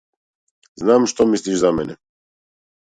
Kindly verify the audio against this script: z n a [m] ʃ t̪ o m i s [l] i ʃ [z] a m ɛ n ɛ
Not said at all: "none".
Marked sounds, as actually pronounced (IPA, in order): m, l, z

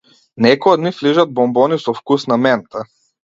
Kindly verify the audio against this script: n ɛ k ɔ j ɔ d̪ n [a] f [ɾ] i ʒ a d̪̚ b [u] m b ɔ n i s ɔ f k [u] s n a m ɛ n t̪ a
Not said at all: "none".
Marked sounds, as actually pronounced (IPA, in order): i, l, ɔ, u

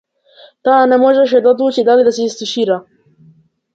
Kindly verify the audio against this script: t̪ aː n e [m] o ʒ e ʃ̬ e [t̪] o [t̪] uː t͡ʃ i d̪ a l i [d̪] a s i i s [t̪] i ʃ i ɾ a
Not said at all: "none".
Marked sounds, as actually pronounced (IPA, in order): m, d̪, d̪, d̪, t̪

